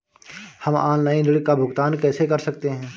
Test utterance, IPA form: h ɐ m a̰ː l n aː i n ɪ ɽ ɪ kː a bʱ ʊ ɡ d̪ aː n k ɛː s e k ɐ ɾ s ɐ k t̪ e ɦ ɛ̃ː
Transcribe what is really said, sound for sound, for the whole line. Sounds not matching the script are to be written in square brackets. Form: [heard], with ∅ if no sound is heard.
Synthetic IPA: h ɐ m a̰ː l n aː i n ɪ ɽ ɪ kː a bʱ ʊ ɡ [t̪] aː n k ɛː s e k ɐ ɾ s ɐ k t̪ e ɦ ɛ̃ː